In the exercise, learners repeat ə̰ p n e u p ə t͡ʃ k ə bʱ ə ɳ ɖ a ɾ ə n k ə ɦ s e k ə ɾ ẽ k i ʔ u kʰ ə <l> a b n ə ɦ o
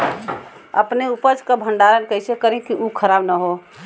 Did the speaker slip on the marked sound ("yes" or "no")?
yes